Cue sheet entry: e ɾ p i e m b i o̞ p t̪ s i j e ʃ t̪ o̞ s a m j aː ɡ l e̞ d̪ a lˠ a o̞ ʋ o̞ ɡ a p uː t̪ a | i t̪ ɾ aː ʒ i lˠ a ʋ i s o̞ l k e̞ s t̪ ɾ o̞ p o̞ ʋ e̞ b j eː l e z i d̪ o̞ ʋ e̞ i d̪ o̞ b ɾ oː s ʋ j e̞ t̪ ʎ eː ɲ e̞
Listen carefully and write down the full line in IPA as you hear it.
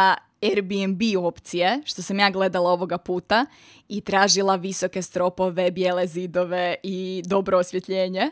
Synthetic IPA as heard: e ɾ b i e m b i o̞ p t̪ s i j e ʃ t̪ o̞ s a m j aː ɡ l e̞ d̪ a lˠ a o̞ ʋ o̞ ɡ a p uː t̪ a | i t̪ ɾ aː ʒ i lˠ a ʋ i s o̞ k e̞ s t̪ ɾ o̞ p o̞ ʋ e̞ b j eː l e z i d̪ o̞ ʋ e̞ i d̪ o̞ b ɾ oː s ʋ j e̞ t̪ ʎ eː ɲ e̞